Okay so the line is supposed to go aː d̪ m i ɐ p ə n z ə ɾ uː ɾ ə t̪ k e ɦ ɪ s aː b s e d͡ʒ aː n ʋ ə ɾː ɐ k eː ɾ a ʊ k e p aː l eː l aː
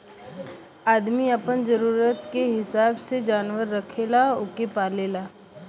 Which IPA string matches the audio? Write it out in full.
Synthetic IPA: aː d̪ m i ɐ p ə n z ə ɾ uː ɾ ə t̪ k e ɦ ɪ s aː b s e d͡ʒ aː n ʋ ə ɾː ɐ kʰ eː l a ʊ k e p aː l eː l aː